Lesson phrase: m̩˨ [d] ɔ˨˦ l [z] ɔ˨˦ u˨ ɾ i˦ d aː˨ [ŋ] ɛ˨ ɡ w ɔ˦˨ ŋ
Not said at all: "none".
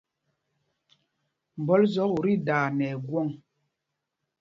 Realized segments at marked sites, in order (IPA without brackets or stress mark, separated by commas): b, z, n